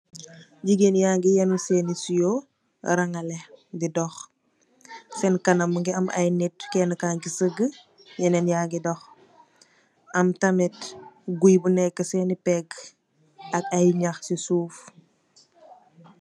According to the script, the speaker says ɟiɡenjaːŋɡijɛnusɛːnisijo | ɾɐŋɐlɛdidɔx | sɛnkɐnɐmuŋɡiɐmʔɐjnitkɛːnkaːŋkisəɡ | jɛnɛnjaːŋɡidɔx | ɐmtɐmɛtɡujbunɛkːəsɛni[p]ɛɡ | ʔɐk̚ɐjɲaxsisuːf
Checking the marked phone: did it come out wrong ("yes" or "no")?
no